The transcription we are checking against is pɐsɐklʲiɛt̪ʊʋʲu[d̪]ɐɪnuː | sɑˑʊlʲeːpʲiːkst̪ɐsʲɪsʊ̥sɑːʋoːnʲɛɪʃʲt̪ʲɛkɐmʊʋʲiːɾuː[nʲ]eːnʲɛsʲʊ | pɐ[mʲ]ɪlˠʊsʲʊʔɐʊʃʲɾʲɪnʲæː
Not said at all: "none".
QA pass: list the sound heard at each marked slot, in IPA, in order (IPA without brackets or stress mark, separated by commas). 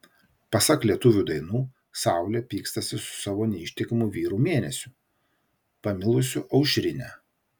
d̪, mʲ, mʲ